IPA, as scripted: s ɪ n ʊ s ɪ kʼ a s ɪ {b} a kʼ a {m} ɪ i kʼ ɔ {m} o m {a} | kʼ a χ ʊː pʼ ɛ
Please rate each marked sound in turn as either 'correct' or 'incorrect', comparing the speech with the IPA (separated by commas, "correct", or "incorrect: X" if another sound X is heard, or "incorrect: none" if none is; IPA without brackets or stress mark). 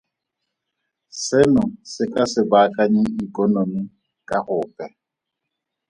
correct, incorrect: ɲ, incorrect: n, incorrect: i